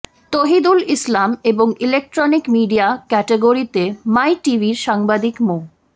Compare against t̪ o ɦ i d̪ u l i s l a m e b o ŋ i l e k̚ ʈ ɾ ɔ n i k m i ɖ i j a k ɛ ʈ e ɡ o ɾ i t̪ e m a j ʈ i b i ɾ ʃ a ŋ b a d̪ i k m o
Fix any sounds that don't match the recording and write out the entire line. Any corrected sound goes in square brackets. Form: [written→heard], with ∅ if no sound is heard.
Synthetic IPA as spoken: t̪ o ɦ i d̪ u l i s l a m e b o ŋ i l e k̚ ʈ ɾ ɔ n i k m i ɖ i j a k ɛ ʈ e ɡ o ɾ i t̪ e m a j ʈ i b i ɾ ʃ a ŋ b a d̪ i k m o